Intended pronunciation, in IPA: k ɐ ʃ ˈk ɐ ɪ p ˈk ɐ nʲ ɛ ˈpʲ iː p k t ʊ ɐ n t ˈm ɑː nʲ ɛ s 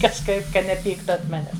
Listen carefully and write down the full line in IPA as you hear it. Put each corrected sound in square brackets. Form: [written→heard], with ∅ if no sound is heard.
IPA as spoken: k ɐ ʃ ˈk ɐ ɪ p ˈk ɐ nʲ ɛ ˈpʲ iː [p→∅] k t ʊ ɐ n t ˈm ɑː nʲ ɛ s